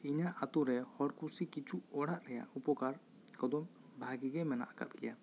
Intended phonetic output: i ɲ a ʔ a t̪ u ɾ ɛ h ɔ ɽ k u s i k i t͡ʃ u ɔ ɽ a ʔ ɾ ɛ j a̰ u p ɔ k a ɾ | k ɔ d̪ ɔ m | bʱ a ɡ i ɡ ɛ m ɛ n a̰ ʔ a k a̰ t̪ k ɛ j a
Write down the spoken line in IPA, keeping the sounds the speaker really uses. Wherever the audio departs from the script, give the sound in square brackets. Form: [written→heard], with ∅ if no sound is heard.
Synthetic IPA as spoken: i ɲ a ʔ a t̪ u ɾ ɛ h ɔ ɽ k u s i k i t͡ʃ u ɔ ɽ a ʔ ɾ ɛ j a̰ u p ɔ k a ɾ | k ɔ d̪ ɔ m | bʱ a ɡ i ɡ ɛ m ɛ n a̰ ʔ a k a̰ t̪ k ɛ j a